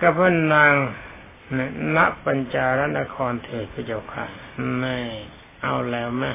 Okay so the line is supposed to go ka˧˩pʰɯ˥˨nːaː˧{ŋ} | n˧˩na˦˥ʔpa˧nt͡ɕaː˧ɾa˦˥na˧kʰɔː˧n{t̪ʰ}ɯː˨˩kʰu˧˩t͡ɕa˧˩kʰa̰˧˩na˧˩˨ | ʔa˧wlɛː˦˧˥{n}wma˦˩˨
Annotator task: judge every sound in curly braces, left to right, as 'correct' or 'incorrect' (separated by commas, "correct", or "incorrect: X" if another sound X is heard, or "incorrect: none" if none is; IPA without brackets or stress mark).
correct, correct, incorrect: none